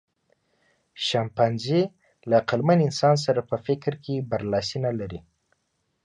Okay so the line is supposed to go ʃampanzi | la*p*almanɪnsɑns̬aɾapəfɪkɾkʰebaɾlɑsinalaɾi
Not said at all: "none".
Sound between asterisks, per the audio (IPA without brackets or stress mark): q